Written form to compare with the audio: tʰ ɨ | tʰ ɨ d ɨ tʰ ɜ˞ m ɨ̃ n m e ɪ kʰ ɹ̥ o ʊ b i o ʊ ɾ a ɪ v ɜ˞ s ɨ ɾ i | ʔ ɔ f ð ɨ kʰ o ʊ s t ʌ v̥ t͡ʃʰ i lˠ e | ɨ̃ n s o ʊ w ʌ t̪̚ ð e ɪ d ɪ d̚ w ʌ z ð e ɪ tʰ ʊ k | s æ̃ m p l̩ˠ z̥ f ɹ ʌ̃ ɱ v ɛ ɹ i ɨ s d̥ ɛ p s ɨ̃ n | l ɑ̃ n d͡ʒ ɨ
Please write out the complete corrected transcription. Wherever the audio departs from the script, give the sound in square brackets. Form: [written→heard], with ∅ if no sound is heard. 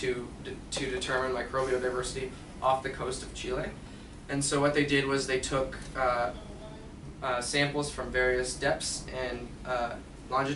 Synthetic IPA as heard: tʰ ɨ | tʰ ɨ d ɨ tʰ ɜ˞ m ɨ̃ n m [e→a] ɪ kʰ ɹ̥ o ʊ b i o ʊ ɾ a ɪ v ɜ˞ s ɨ ɾ i | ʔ ɔ f ð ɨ kʰ o ʊ s t ʌ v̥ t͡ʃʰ i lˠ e | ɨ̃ n s o ʊ w ʌ t̪̚ ð e ɪ d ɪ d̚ w ʌ z ð e ɪ tʰ ʊ k | s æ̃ m p l̩ˠ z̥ f ɹ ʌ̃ ɱ v ɛ ɹ i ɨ s d̥ ɛ p s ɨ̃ n | l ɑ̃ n d͡ʒ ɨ